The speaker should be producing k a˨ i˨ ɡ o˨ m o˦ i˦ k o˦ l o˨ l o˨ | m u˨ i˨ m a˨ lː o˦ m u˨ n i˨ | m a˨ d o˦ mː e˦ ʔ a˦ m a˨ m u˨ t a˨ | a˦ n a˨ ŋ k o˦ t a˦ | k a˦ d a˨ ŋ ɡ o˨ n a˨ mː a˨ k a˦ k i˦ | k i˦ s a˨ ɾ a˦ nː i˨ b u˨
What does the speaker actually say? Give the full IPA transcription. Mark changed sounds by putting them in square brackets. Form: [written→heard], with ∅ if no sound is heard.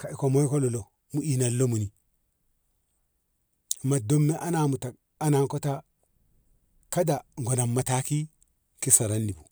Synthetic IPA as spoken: k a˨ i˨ [ɡ→k] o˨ m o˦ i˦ k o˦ l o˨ l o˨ | m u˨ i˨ [m→n] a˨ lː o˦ m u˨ n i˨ | m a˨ d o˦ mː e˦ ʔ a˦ [m→n] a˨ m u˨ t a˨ | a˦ n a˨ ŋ k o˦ t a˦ | k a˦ d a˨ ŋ ɡ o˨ n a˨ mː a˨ [k→t] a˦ k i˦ | k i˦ s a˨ ɾ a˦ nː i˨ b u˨